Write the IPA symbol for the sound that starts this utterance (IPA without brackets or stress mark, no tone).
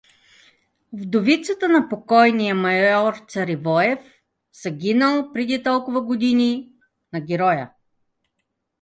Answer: v